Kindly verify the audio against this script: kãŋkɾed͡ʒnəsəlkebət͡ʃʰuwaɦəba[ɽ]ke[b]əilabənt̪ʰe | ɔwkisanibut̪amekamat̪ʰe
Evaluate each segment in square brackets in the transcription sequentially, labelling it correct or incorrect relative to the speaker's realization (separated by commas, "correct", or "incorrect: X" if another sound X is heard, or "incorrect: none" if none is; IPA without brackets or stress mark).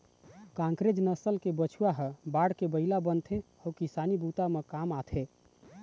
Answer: correct, correct